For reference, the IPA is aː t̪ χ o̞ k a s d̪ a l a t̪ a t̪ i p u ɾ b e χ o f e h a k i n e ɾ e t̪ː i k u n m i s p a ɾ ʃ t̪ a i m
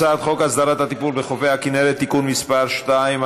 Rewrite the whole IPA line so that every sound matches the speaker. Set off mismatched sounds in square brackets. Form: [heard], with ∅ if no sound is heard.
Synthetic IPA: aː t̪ χ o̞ k a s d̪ a [ɾ] a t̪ a t̪ i p u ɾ b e χ o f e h a k i n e ɾ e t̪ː i k u n m i s p a ɾ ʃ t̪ a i m

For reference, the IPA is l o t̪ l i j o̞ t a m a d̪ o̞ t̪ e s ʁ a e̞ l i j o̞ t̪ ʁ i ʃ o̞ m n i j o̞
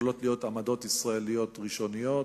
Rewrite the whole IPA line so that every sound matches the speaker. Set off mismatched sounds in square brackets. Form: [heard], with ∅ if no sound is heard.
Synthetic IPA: l o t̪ l i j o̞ t a m a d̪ o̞ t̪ [i] s ʁ a e̞ l i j o̞ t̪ ʁ i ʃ o̞ [∅] n i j o̞

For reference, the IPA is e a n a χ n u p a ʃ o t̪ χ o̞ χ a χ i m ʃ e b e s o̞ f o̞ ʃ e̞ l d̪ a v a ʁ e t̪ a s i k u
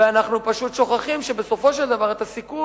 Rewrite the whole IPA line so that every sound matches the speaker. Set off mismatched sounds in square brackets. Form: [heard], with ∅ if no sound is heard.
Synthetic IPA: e a n a χ n u p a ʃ [u] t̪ [ʃ] o̞ χ a χ i m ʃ e b e s o̞ f o̞ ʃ e̞ l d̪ a v a ʁ e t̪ a s i k u

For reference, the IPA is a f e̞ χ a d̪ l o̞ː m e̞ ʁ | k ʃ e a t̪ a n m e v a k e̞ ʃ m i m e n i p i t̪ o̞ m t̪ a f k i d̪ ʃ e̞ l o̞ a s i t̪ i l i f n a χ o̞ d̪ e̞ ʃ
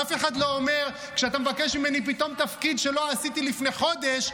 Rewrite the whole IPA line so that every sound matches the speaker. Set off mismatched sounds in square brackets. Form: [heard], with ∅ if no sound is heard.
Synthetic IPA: a f e̞ χ a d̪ l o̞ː m e̞ ʁ | k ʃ e a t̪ a [∅] m e v a k e̞ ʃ m i m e n i p i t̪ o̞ m t̪ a f k i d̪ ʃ e̞ l o̞ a s i t̪ i l i f n [e] χ o̞ d̪ e̞ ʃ

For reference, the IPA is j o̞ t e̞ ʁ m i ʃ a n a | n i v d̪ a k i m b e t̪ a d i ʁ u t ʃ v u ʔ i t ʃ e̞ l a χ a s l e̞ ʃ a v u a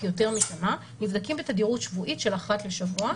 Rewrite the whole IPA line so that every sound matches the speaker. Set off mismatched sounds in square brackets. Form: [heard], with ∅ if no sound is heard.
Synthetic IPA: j o̞ t e̞ ʁ m i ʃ a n a | n i v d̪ a k i m b e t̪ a d i ʁ u t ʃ v u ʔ i t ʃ e̞ l a χ a [t] l e̞ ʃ a v u a

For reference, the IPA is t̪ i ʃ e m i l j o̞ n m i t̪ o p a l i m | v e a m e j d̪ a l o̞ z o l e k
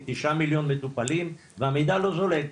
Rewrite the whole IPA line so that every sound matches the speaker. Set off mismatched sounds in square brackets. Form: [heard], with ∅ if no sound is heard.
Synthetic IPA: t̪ i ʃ [a] m i l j o̞ n m [e] t̪ [u] p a l i m | v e a m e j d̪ a l o̞ z o l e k

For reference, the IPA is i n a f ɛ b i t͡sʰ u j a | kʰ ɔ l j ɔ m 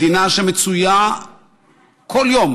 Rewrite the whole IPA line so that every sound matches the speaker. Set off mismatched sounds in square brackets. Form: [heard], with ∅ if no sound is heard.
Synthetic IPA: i n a [ʃ] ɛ [m] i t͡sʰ u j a | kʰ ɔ l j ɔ m

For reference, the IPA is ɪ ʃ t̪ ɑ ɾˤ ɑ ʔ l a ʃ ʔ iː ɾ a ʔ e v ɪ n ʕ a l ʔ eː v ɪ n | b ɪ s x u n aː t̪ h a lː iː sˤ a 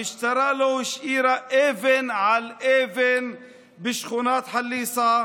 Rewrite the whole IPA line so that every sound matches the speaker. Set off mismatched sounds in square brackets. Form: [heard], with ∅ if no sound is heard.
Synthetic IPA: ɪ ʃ t̪ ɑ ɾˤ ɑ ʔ l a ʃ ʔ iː ɾ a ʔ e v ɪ n ʕ a l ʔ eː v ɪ n | b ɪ [ʃ] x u n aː t̪ [ħ] a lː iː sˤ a

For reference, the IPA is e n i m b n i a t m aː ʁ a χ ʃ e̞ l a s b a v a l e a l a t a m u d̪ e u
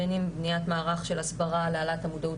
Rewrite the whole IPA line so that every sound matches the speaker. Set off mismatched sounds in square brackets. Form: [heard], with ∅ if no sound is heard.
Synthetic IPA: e n i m b n i a t m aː ʁ a χ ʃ e̞ l a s b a [ʁ] a l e a l a t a m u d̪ [a] u

